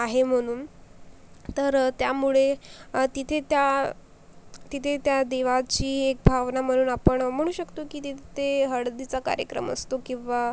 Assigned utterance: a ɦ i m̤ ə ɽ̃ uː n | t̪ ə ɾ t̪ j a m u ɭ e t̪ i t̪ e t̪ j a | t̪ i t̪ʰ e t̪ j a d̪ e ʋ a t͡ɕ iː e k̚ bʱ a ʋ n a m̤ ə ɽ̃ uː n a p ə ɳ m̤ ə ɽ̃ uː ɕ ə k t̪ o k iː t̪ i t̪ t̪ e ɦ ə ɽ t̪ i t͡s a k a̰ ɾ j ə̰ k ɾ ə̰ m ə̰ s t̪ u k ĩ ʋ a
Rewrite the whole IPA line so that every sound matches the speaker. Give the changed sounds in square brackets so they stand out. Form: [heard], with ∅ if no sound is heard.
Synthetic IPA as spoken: a ɦ [e] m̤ ə ɽ̃ uː n | t̪ ə ɾ t̪ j a m u ɭ e t̪ i [t̪ʰ] e t̪ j a | t̪ i t̪ʰ e t̪ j a d̪ e ʋ a t͡ɕ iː e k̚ bʱ a ʋ n a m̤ ə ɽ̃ uː n a p ə ɳ m̤ ə ɽ̃ uː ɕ ə k t̪ o k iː t̪ i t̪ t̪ e ɦ ə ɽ [d̪] i t͡s a k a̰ ɾ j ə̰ k ɾ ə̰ m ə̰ s t̪ [o] k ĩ ʋ a